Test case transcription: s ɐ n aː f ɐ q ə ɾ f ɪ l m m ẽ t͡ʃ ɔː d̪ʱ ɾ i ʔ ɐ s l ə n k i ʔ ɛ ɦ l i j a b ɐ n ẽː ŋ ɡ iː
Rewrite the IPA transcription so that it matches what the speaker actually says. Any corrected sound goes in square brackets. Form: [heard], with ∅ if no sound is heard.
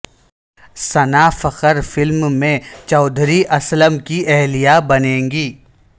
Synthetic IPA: s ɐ n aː f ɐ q ə ɾ f ɪ l m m ẽ t͡ʃ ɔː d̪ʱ ɾ i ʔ ɐ s l ə [m] k i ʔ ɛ ɦ l i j a b ɐ n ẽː ŋ ɡ iː